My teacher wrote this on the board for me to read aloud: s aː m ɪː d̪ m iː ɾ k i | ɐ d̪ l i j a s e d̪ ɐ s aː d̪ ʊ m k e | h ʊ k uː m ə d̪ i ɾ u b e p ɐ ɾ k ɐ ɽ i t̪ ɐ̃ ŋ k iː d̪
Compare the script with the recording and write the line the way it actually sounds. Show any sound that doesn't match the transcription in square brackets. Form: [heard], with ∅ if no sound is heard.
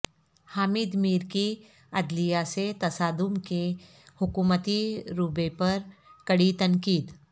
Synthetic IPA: [h] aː m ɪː d̪ m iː ɾ k i | ɐ d̪ l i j a s e [t̪] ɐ s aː d̪ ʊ m k e | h ʊ k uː m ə [t̪] i ɾ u b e p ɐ ɾ k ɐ ɽ i t̪ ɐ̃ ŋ k iː d̪